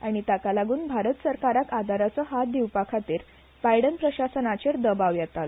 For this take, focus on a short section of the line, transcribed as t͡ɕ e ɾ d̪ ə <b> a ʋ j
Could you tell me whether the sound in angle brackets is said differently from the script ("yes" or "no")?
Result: no